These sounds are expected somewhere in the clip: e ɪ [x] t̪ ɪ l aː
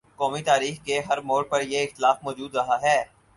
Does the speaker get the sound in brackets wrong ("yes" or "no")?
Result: no